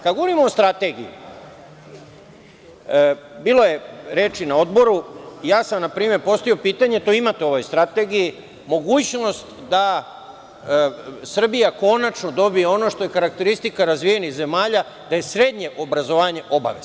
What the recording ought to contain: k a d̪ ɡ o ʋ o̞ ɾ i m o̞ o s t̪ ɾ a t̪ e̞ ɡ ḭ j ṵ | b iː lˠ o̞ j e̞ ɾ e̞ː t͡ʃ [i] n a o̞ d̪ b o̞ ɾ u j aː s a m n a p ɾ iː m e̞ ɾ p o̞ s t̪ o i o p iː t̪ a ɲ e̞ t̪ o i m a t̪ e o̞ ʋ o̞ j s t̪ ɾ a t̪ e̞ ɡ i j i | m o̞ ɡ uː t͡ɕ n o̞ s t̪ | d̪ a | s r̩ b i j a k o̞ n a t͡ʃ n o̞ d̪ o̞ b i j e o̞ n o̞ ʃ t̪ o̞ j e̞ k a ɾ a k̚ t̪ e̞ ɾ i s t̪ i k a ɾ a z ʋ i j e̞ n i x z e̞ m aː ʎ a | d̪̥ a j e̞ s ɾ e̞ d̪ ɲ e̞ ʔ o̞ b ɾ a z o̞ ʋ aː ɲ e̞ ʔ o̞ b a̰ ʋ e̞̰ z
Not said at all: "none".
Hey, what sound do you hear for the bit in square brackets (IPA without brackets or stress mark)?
i